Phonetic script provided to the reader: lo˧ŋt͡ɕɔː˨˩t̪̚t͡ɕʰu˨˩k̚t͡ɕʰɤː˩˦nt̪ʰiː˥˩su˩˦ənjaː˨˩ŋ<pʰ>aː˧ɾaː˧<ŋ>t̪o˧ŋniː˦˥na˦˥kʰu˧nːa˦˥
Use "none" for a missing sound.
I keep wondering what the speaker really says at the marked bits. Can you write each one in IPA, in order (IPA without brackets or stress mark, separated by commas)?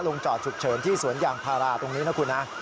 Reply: pʰ, none